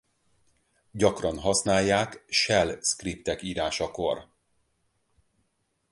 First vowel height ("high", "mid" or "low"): low